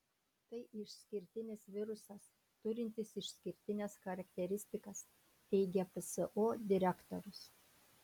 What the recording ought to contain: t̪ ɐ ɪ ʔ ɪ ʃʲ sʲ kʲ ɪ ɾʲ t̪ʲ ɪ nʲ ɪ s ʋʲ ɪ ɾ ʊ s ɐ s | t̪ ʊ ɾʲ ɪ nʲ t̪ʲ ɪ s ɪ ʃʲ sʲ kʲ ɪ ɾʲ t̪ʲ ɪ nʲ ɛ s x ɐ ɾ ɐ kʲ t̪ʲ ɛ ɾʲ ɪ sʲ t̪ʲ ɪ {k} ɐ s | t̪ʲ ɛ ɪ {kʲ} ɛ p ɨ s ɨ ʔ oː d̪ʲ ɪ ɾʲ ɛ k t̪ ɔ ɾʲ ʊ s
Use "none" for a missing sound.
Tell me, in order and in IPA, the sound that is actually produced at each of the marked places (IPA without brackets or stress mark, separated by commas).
k, ɡʲ